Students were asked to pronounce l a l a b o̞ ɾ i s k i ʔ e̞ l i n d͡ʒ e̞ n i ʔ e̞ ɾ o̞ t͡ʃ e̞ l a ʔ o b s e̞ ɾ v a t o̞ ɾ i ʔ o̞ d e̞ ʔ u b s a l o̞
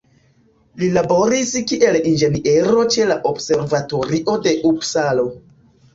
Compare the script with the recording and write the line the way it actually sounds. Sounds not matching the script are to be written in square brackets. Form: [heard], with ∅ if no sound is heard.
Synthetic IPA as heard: l [i] l a b o̞ ɾ i s k i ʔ e̞ l i n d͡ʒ e̞ n i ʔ e̞ ɾ o̞ t͡ʃ e̞ l a ʔ o b s e̞ ɾ v a t o̞ ɾ i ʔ o̞ d e̞ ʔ u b s a l o̞